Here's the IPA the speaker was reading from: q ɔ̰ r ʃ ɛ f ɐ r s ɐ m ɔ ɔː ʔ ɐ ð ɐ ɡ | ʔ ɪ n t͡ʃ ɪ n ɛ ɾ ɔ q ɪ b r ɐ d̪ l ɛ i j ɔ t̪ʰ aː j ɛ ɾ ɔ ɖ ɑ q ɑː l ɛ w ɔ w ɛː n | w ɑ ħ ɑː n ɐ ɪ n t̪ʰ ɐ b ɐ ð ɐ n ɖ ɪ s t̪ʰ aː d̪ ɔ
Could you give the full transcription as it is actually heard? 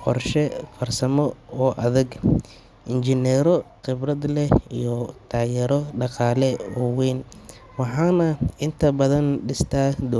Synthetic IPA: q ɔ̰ r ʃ ɛ f ɐ r s ɐ m ɔ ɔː ʔ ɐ ð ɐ ɡ | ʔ ɪ n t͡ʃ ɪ n ɛ ɾ ɔ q ɪ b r ɐ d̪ l ɛ i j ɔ t̪ʰ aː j ɛ ɾ ɔ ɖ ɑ q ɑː l ɛ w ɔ w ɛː n | w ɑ ħ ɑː n ɐ ɪ n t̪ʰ ɐ b ɐ ð ɐ n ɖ ɪ s t̪ʰ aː d̪ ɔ

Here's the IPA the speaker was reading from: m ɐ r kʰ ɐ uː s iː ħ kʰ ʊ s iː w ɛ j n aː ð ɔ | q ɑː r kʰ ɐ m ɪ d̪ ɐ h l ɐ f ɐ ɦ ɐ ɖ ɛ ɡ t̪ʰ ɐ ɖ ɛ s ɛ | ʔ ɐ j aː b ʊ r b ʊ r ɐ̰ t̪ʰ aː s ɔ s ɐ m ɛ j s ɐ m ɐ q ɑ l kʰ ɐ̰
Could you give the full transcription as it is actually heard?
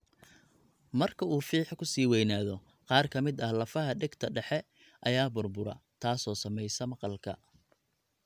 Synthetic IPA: m ɐ r kʰ ɐ uː f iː ħ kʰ ʊ s iː w ɛ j n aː ð ɔ | q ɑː r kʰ ɐ m ɪ d̪ ɐ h l ɐ f ɐ ɦ ɐ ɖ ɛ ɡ t̪ʰ ɐ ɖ ɛ ħ ɛ | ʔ ɐ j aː b ʊ r b ʊ ɾ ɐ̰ t̪ʰ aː s ɔː s ɐ m ɛ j s ɐ m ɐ q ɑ l kʰ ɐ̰

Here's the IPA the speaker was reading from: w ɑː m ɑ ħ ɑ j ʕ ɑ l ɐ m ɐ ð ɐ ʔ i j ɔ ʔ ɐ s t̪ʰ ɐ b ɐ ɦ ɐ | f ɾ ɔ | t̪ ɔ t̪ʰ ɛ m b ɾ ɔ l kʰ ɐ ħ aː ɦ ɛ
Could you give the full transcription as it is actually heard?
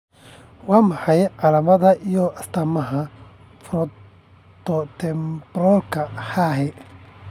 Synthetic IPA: w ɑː m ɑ ħ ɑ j ʕ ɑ l ɐ m ɐ ð ɐ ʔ i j ɔ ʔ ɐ s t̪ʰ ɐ m ɐ ɦ ɐ | f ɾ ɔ | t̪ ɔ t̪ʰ ɛ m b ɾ ɔ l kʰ ɐ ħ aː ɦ ɛ

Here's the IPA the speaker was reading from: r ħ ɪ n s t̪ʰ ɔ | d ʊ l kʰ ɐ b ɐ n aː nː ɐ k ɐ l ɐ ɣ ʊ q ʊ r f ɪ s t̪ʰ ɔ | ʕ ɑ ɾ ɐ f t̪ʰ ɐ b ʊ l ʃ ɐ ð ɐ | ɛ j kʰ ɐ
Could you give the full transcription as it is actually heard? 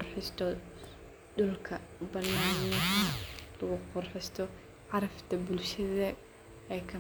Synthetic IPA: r ħ ɪ s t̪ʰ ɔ | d ʊ l kʰ ɐ b ɐ n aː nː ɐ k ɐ l ɐ ɣ ʊ q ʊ r ħ ɪ s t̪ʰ ɔ | ʕ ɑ ɾ ɐ f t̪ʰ ɐ b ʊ l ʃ ɐ ð ɐ | ɛ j kʰ ɐ

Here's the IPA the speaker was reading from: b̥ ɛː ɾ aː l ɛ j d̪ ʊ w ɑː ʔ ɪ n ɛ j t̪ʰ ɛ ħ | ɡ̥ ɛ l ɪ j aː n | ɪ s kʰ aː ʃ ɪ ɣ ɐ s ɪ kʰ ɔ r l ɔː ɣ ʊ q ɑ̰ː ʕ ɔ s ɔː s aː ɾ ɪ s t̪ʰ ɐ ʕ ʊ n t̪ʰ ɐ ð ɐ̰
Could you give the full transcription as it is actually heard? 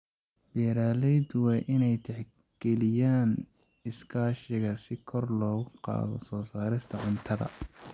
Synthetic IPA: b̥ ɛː ɾ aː l ɛ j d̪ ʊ w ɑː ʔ ɪ n ɛ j t̪ʰ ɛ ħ | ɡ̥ ɛ l ɪ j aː n | ɪ s kʰ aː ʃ ɪ ɣ ɐ s ɪ kʰ ɔ r l ɔː ɣ ʊ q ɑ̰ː ð ɔ s ɔː s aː ɾ ɪ s t̪ʰ ɐ ʕ ʊ n t̪ʰ ɐ ð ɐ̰

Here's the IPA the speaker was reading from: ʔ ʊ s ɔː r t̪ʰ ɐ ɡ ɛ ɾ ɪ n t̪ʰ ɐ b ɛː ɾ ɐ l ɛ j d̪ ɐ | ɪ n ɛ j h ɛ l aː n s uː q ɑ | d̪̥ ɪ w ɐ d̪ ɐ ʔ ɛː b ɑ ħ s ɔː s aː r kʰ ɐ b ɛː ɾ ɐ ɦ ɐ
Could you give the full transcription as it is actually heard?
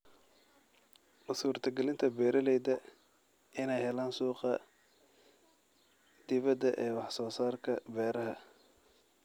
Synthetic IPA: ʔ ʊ s uː r t̪ʰ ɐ ɡ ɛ l ɪ n t̪ʰ ɐ b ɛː ɾ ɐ l ɛ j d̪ ɐ | ɪ n ɛ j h ɛ l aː n s uː q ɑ | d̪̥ ɪ β ɐ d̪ ɐ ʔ ɛː w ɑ ħ s ɔː s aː r kʰ ɐ b ɛː ɾ ɐ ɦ ɐ

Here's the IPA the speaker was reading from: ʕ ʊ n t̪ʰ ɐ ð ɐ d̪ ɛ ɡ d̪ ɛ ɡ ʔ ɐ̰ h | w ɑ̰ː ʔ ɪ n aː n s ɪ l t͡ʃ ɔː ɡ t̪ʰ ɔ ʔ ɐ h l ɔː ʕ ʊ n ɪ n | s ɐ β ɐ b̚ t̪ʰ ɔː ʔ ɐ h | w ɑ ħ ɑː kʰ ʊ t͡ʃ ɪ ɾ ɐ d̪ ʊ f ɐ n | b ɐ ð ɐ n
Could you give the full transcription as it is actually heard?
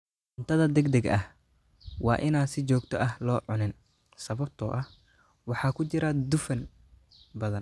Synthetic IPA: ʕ ʊ n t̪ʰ ɐ ð ɐ d̪ ɛ ɡ d̪ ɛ ɡ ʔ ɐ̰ h | w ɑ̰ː ʔ ɪ n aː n s ɪ t͡ʃ ɔː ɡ t̪ʰ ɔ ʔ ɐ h l ɔː ʕ ʊ n ɪ n | s ɐ β ɐ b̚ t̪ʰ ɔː ʔ ɐ h | w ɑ ħ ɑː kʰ ʊ t͡ʃ ɪ ɾ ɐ d̪ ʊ f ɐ n | b ɐ ð ɐ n

